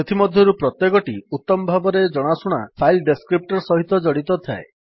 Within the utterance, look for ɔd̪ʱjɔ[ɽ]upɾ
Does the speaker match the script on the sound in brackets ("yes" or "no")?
no